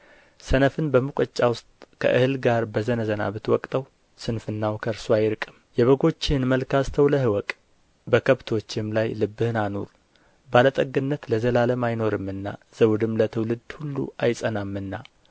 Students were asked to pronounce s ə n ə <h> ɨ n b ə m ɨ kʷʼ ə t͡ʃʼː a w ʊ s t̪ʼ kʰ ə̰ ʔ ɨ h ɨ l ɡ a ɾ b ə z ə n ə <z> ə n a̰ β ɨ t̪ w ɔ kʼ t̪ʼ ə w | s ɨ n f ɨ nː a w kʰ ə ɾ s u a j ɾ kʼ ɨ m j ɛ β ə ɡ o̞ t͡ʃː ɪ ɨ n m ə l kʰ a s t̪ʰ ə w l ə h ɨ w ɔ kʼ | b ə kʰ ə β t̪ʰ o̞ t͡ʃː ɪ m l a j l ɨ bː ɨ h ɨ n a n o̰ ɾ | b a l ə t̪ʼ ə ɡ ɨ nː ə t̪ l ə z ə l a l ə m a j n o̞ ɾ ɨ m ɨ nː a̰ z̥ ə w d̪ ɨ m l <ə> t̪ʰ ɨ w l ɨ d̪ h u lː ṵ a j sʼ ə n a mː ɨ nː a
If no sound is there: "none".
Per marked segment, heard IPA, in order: f, z, ə

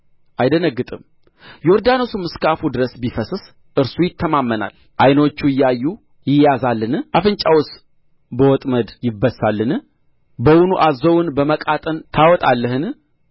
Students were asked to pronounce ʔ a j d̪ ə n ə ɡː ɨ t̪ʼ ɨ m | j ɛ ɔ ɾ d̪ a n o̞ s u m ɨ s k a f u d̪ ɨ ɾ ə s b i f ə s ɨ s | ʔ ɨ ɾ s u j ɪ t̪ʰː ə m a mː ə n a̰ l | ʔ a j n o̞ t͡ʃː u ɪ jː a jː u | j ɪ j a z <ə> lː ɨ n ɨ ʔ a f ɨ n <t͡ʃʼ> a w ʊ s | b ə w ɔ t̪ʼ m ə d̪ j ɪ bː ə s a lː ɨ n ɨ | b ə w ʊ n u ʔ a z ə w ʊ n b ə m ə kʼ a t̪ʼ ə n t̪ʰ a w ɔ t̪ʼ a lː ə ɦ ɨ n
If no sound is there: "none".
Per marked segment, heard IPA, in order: a, t͡ʃʼ

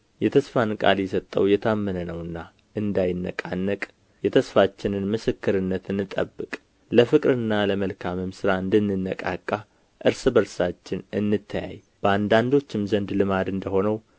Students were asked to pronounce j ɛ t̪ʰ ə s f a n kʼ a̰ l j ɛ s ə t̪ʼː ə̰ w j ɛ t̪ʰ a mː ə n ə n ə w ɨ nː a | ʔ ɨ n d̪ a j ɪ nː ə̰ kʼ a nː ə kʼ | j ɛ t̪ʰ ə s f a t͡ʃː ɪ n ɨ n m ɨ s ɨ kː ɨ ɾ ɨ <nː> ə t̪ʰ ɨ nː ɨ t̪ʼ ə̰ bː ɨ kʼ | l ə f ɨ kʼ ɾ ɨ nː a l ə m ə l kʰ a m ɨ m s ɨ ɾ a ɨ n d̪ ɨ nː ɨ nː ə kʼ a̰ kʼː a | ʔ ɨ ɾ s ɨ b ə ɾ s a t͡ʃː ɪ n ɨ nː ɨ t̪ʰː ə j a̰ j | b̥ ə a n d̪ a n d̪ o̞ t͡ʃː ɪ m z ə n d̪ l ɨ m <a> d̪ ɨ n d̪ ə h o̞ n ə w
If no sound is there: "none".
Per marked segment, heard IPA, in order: nː, a

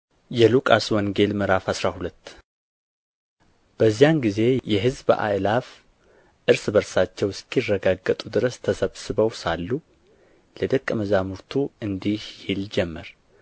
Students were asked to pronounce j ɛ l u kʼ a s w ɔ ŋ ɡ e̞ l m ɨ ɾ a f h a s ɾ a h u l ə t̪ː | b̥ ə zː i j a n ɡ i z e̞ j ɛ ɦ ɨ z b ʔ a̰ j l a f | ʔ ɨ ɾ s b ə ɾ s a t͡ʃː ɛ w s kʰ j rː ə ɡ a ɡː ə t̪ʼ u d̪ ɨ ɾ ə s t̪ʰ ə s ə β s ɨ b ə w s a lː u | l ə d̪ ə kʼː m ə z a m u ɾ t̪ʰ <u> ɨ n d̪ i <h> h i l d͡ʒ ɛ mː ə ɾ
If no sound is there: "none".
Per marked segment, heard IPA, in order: u, h

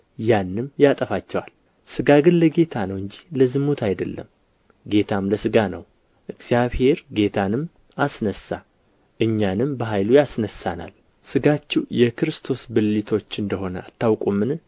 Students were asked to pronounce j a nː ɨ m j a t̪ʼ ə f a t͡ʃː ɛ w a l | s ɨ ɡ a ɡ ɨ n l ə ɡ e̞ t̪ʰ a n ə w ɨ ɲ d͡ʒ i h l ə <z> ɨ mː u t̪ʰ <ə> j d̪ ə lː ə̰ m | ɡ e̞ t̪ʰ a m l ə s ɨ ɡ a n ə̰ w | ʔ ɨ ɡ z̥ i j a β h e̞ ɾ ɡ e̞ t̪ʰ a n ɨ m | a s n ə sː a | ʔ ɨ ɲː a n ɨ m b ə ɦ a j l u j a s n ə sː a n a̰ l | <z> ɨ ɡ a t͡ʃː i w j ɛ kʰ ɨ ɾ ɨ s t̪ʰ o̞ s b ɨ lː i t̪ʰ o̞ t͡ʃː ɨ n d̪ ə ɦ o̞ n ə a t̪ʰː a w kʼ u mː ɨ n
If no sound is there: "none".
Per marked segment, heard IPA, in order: z, a, s

